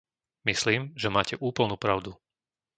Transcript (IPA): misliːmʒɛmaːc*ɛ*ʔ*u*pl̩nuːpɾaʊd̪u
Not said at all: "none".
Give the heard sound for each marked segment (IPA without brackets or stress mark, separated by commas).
ɛ, uː